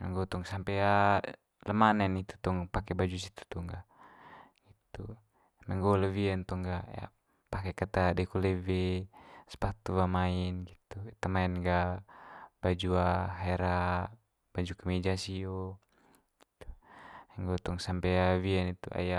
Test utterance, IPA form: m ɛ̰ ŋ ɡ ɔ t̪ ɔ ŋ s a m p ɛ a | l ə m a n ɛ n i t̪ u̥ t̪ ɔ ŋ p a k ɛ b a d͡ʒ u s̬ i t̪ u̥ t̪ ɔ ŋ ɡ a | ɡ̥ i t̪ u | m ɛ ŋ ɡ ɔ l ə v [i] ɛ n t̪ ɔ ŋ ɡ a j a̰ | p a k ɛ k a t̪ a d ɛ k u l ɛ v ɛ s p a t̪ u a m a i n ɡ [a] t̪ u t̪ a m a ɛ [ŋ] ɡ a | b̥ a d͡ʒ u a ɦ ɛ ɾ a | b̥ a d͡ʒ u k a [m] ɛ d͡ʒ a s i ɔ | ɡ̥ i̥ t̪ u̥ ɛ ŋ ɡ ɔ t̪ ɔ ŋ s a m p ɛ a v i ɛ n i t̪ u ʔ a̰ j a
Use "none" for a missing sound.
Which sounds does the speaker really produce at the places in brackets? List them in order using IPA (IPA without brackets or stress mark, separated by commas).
i, i, n, m